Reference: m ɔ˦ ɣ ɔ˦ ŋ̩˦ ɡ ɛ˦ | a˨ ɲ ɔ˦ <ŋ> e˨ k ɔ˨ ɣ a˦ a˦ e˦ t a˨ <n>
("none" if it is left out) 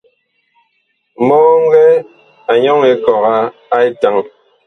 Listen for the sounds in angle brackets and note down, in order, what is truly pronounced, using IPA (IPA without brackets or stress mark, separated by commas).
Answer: ŋ, ŋ